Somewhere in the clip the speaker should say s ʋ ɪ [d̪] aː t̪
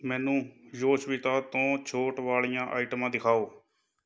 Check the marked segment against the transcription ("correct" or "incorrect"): incorrect